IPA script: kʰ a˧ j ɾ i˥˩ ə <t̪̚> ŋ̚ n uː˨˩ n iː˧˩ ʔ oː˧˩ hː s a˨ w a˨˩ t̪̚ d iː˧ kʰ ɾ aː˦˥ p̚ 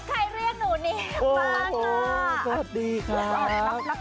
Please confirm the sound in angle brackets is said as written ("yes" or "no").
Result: no